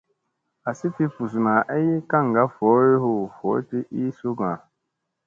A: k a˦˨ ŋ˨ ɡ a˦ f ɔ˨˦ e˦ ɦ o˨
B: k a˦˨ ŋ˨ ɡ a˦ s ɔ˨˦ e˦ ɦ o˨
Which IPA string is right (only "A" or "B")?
A